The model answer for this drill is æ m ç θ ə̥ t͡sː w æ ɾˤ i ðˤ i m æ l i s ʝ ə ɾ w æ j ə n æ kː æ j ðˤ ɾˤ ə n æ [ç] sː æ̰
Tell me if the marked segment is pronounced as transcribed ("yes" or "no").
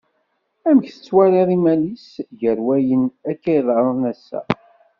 no